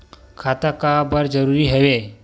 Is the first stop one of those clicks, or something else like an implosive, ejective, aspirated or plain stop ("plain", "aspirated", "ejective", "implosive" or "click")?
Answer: aspirated